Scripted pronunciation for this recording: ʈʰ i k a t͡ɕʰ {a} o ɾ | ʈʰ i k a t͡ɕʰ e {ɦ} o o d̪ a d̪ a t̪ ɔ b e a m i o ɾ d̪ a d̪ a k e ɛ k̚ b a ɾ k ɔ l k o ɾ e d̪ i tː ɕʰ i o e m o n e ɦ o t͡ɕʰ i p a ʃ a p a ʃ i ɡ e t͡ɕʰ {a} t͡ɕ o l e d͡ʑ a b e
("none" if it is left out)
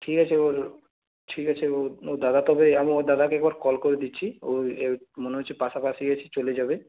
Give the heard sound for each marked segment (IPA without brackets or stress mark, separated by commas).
e, none, i